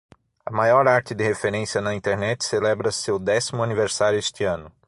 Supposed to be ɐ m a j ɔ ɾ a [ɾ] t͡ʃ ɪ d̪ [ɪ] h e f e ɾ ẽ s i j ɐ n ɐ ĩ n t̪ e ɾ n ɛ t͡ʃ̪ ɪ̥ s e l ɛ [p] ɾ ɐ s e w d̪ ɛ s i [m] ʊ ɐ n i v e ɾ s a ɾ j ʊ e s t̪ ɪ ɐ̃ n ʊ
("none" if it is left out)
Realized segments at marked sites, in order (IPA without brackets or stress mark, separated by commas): ɾ, ɪ, b, m